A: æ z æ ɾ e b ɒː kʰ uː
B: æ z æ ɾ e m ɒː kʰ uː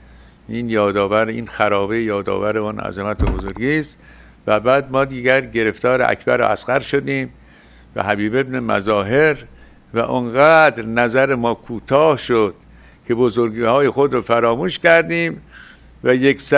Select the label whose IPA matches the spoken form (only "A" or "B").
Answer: B